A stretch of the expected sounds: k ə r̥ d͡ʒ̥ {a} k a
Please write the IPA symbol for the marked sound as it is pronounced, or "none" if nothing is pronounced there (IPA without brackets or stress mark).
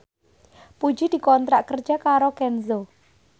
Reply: a